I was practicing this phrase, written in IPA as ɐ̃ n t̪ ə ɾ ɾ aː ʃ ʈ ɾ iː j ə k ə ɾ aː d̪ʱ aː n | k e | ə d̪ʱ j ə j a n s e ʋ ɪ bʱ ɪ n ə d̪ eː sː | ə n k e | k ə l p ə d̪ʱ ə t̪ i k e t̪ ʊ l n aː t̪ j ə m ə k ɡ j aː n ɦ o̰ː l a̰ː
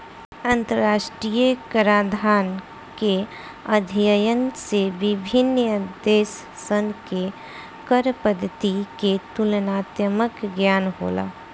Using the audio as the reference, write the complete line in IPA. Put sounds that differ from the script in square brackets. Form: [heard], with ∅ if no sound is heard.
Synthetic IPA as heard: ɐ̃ n t̪ ə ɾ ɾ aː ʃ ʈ ɾ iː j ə k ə ɾ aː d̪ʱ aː n | k e | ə d̪ʱ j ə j [ə] n s e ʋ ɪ bʱ ɪ n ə d̪ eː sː | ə n k e | k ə [ɾ] p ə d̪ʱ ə t̪ i k e t̪ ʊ l n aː t̪ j ə m ə k ɡ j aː n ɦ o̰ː l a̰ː

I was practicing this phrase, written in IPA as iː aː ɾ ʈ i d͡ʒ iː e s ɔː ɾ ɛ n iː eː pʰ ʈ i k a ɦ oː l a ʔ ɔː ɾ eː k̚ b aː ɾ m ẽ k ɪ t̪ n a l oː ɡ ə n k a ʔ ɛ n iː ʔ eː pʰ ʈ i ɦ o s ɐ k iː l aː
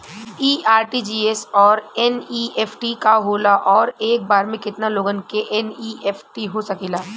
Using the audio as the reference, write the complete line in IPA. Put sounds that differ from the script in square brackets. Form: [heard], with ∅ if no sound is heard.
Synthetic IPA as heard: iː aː ɾ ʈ i d͡ʒ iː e s ɔː ɾ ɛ n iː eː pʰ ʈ i k a ɦ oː l a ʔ ɔː ɾ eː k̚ b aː ɾ m ẽ k ɪ t̪ n a l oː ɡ ə n k [e] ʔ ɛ n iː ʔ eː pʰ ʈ i ɦ o s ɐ k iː l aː

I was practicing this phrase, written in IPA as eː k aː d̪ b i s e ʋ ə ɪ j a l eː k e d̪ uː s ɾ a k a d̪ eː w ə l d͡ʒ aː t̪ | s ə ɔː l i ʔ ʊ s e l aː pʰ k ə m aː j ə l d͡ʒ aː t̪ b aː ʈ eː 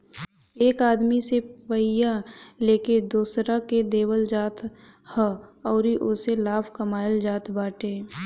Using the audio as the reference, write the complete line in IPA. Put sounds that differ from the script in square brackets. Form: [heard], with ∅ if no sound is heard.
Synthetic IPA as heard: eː k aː d̪ [m] i s e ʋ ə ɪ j a l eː k e d̪ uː s ɾ a k [e] d̪ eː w ə l d͡ʒ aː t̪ | [h] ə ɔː [ɾ] i ʔ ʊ s e l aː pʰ k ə m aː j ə l d͡ʒ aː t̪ b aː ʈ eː

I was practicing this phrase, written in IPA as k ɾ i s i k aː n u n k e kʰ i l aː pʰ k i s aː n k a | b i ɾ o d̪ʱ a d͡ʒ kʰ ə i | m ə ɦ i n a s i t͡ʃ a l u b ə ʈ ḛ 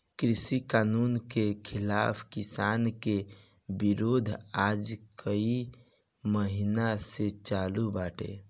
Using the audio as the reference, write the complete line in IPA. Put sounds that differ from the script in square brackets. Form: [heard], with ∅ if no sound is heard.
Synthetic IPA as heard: k ɾ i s i k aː n u n k e kʰ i l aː pʰ k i s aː n k [e] | b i ɾ o d̪ʱ a d͡ʒ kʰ ə i | m ə ɦ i n a s [e] t͡ʃ a l u b [a] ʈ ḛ

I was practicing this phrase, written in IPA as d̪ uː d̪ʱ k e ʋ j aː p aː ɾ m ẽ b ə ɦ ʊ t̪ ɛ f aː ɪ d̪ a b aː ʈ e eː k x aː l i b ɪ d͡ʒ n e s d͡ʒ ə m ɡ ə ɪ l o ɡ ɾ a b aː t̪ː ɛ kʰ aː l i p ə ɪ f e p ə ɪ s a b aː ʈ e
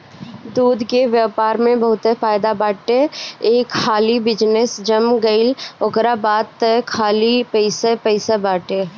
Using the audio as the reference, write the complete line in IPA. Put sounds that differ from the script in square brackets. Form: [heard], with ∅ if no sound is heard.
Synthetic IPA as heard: d̪ uː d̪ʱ k e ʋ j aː p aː ɾ m ẽ b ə ɦ ʊ t̪ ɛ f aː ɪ d̪ a b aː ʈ e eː k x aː l i b ɪ d͡ʒ n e s d͡ʒ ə m ɡ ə ɪ l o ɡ ɾ a b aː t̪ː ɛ kʰ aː l i p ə ɪ [s] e p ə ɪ s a b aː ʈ e

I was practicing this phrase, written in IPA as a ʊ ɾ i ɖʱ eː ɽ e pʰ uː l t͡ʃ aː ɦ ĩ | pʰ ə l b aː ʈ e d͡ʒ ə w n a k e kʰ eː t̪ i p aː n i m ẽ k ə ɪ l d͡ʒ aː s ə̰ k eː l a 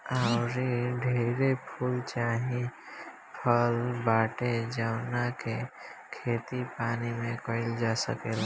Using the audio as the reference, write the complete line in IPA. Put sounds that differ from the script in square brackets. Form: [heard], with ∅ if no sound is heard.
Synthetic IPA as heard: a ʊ ɾ i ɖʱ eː [ɾ] e pʰ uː l t͡ʃ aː ɦ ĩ | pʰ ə l b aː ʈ e d͡ʒ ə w n a k e kʰ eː t̪ i p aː n i m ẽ k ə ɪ l d͡ʒ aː s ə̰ k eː l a

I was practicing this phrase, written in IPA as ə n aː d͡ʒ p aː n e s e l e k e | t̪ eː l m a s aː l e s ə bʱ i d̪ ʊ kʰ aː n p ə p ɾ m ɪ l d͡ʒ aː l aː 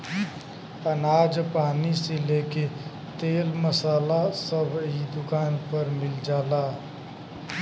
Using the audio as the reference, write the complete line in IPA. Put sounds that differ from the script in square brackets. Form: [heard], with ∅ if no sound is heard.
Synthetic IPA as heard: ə n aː d͡ʒ p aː n [i] s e l e k e | t̪ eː l m [ə] s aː l [a] s ə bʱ i d̪ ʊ [k] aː n p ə [∅] ɾ m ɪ l d͡ʒ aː l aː

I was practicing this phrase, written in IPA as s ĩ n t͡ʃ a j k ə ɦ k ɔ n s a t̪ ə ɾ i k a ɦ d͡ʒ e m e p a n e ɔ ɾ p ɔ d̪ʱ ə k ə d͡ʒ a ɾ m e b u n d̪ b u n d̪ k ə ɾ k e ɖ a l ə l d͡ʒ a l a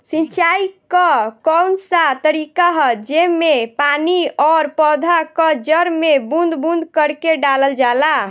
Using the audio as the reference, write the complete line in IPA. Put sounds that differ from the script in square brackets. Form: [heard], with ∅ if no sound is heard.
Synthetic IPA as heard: s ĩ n t͡ʃ a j k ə [∅] k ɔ n s a t̪ ə ɾ i k a ɦ d͡ʒ e m e p a n [i] ɔ ɾ p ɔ d̪ʱ [a] k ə d͡ʒ [ə] ɾ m e b u n d̪ b u n d̪ k ə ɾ k e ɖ a l ə l d͡ʒ a l a

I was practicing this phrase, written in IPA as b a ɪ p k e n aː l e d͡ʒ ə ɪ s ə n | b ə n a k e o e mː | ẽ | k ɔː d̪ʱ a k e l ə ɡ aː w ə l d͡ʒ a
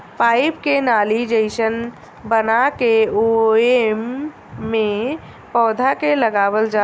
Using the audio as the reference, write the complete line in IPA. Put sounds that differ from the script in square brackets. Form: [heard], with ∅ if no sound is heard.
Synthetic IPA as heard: [p] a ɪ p k e n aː l [i] d͡ʒ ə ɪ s ə n | b ə n a k e o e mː | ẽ | [p] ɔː d̪ʱ a k e l ə ɡ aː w ə l d͡ʒ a

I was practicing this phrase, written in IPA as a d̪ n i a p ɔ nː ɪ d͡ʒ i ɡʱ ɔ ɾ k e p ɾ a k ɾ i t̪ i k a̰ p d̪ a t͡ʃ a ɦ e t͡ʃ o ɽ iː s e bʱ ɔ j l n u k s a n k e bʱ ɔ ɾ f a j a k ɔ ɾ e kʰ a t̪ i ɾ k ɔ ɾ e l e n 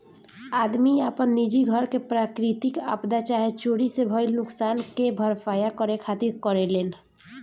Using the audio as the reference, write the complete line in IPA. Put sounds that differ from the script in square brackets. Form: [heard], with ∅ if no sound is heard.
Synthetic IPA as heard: a d̪ [m] i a p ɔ nː [i] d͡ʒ i ɡʱ ɔ ɾ k e p ɾ a k ɾ i t̪ i k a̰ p d̪ a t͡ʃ a ɦ e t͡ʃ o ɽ [i] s e bʱ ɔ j l n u k s a n k e bʱ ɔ ɾ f a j a k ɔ ɾ e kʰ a t̪ i ɾ k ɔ ɾ e l e n

